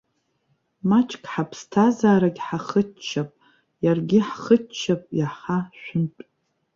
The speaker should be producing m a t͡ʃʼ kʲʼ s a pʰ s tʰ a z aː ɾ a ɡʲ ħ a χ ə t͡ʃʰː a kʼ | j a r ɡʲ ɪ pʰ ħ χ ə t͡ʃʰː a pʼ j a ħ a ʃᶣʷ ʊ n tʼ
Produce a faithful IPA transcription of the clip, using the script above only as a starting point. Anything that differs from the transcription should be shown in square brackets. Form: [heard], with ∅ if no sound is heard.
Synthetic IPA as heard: m a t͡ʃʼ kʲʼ [ħ] a pʰ s tʰ a z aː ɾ a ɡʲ ħ a χ ə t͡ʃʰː a [pʼ] | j a r ɡʲ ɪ [∅] ħ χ ə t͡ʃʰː a pʼ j a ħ a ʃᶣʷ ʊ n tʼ